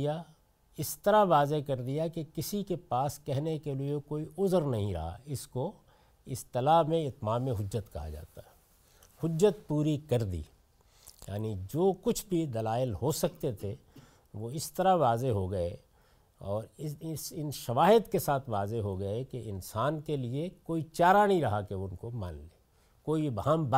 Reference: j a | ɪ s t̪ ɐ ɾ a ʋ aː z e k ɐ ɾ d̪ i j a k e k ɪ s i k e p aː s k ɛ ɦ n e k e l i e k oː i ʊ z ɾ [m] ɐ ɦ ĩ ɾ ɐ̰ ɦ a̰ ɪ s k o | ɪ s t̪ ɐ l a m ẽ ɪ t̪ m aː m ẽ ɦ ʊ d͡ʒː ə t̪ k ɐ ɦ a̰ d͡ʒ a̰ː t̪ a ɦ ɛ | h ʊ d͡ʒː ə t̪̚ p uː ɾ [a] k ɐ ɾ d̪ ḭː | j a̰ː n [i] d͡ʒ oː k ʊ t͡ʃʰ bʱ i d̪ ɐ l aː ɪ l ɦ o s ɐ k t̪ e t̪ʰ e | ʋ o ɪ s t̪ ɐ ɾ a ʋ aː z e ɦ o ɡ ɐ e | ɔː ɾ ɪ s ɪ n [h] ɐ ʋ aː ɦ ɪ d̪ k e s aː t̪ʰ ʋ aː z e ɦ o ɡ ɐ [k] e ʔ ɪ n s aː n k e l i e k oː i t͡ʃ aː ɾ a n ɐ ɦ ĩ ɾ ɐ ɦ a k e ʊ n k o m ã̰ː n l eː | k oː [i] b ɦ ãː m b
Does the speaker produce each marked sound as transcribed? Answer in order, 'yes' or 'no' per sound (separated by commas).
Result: no, no, yes, no, yes, yes